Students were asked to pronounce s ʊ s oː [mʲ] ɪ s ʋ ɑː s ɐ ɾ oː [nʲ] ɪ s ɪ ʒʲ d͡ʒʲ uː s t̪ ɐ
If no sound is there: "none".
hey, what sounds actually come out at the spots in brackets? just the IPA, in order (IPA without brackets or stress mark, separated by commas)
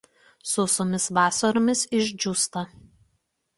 mʲ, mʲ